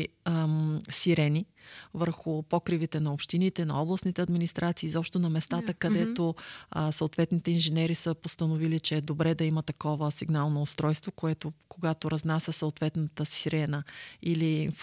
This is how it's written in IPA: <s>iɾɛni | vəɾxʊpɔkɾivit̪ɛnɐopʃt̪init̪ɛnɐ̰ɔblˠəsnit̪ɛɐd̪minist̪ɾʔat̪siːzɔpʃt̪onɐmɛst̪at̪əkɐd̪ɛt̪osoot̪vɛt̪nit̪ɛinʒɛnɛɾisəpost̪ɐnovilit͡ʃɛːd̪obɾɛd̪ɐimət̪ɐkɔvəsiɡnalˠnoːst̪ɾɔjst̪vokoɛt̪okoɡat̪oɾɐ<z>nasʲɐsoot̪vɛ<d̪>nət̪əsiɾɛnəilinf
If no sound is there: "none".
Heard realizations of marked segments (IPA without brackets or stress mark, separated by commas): s, z, t̪